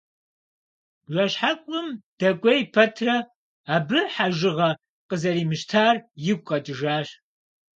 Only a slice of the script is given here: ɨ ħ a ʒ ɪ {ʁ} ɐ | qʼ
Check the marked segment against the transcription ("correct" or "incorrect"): correct